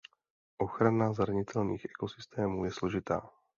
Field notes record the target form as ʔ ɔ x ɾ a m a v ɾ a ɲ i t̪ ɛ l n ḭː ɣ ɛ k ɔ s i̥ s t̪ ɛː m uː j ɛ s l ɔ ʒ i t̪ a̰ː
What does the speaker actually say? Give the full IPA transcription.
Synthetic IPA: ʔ ɔ x ɾ a n a z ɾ a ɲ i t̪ ɛ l n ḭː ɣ ɛ k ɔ s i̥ s t̪ ɛː m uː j ɛ s l ɔ ʒ i t̪ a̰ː